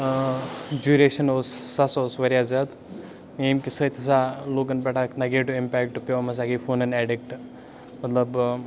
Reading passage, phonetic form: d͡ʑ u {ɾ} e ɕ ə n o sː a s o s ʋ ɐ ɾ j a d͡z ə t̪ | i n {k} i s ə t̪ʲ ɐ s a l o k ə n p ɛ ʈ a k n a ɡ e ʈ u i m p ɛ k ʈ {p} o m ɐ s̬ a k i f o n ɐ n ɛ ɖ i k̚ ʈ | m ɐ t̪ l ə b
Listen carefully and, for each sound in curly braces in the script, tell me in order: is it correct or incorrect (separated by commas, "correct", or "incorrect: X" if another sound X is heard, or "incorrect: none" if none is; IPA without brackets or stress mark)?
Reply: correct, correct, correct